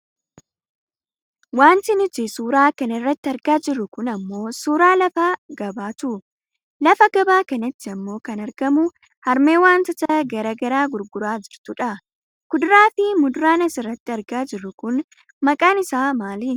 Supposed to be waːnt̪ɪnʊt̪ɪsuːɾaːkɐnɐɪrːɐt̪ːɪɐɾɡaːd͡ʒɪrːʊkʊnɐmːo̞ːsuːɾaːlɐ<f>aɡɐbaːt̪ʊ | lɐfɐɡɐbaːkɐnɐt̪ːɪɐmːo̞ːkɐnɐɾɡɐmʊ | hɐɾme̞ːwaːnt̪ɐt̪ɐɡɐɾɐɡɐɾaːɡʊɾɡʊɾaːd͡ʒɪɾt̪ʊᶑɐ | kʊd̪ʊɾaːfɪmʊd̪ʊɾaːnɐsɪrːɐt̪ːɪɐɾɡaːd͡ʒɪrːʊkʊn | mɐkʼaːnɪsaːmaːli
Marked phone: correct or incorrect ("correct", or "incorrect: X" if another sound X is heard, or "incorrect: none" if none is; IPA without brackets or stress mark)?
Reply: correct